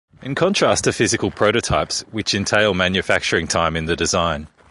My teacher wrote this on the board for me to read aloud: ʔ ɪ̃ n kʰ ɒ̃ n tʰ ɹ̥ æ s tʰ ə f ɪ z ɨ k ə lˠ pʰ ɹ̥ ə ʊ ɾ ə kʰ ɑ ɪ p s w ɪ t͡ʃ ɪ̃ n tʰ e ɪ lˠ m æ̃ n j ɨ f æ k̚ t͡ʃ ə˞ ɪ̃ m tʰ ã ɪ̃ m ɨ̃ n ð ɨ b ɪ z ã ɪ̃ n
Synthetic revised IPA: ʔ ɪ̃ n kʰ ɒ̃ n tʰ ɹ̥ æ s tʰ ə f ɪ z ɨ k ə lˠ pʰ ɹ̥ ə ʊ ɾ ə tʰ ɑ ɪ p s w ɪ t͡ʃ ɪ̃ n tʰ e ɪ lˠ m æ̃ n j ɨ f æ k̚ t͡ʃ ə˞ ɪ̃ ŋ tʰ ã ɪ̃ m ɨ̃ n ð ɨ d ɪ z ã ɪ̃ n